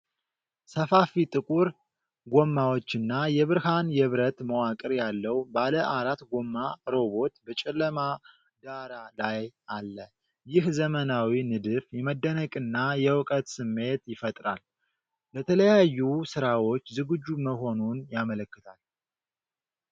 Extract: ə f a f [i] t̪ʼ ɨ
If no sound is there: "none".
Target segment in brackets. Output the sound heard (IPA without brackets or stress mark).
i